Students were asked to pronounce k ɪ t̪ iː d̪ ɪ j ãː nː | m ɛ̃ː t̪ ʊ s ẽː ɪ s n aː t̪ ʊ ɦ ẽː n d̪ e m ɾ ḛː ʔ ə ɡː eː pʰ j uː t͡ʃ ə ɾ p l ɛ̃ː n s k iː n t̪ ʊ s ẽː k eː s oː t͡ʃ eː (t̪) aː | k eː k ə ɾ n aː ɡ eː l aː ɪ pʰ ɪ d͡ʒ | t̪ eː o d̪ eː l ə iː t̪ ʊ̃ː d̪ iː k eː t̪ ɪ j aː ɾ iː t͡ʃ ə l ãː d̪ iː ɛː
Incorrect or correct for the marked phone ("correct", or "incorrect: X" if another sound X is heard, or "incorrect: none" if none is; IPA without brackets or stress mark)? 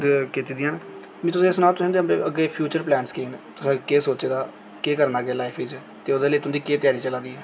incorrect: d̪